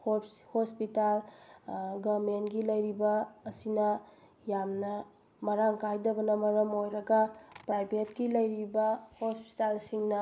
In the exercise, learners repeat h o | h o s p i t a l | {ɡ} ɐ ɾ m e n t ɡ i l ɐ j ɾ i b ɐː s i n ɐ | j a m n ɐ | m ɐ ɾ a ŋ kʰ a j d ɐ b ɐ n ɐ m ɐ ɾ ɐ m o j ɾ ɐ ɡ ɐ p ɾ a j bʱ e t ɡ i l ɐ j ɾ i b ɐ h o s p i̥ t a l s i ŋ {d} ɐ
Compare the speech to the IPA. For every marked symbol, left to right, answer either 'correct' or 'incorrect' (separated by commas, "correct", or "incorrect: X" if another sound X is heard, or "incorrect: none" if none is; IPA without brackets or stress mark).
correct, incorrect: n